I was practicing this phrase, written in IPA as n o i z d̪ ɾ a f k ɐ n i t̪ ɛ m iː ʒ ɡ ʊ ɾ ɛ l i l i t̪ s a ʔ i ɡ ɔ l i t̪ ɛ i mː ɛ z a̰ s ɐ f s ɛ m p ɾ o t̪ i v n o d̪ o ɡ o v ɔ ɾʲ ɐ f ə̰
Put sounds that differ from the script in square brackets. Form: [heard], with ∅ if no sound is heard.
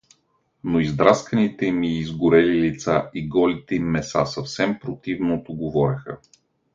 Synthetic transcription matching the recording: n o i z d̪ ɾ a [s] k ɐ n i t̪ ɛ m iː [z] ɡ ʊ ɾ ɛ l i l i t̪ s a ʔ i ɡ ɔ l i t̪ ɛ i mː ɛ [s] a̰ s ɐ f s ɛ m p ɾ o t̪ i v n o [t̪] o ɡ o v ɔ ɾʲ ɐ [x] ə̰